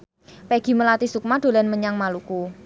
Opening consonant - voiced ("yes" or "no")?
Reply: no